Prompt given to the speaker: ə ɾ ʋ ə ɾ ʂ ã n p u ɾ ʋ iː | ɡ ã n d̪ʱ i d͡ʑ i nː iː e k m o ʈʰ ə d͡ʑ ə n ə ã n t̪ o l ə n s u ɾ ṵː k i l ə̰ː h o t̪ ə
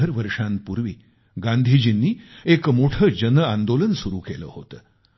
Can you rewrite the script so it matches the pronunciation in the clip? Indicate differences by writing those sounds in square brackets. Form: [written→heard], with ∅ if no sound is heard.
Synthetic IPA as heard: ə ɾ ʋ ə ɾ ʂ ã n p u ɾ ʋ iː | ɡ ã n d̪ʱ i d͡ʑ i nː iː e k m o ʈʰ ə d͡ʑ ə n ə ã n [t̪→d̪] o l ə n s u ɾ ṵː k [i→e] l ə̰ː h o t̪ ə